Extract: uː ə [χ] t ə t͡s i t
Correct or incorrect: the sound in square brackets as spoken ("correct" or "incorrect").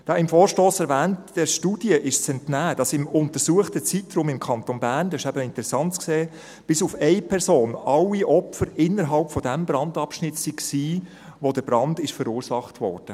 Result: correct